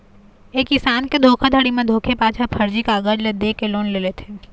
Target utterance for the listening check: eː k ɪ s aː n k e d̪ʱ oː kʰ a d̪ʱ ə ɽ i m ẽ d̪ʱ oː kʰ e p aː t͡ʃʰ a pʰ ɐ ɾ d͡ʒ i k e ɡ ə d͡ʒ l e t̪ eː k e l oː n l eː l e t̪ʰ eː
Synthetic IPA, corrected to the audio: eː k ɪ s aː n k e d̪ʱ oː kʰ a d̪ʱ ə ɽ i m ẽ d̪ʱ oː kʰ e p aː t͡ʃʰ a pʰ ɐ ɾ d͡ʒ i k a ɡ ə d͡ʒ l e d̪ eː k e l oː n l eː l e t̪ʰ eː